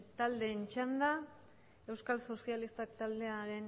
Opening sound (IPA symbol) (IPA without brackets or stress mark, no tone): t̪